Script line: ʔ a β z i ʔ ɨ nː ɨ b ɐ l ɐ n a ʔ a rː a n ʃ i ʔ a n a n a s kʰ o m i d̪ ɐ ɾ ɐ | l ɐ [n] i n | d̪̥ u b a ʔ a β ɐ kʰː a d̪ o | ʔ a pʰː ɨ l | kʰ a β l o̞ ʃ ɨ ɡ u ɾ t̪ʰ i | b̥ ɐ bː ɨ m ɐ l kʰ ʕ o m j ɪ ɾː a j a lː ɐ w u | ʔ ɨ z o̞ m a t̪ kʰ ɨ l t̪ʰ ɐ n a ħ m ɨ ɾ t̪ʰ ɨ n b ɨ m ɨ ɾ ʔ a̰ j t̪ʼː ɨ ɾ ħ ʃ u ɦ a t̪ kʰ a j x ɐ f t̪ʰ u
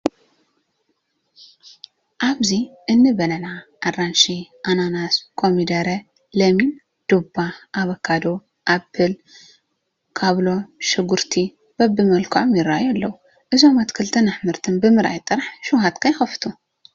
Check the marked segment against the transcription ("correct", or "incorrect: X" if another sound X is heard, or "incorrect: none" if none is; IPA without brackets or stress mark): incorrect: m